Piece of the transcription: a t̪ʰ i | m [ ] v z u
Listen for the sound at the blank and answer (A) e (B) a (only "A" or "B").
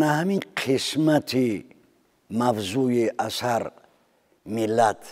B